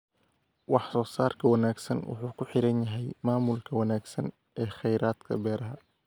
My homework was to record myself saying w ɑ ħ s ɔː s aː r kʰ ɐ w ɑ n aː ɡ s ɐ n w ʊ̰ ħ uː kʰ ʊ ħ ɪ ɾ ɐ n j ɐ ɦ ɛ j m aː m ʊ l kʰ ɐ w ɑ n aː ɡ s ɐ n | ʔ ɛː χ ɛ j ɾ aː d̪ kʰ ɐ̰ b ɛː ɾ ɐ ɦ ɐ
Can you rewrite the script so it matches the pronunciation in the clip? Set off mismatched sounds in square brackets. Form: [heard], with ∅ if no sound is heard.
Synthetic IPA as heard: w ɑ ħ s ɔː s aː r kʰ ɐ w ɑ n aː ɡ s ɐ n w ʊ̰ ħ uː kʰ ʊ ħ ɪ ɾ ɐ n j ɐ ɦ ɛ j m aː m ʊ l kʰ ɐ w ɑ n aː ɡ s ɐ n | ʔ ɛː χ ɛ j ɾ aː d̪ kʰ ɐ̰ b ɛː ɾ ɐ ɦ ɐ